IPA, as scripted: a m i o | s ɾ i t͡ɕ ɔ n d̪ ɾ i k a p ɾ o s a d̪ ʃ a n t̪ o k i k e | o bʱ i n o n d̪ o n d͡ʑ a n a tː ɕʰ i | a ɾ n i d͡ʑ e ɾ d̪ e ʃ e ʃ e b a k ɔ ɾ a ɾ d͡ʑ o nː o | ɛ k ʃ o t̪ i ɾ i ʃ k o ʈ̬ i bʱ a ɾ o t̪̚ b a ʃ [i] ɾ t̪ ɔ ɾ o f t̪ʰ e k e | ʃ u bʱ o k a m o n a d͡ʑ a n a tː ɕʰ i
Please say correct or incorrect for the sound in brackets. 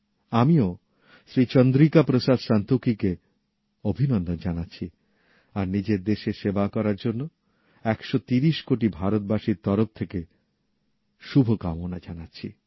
correct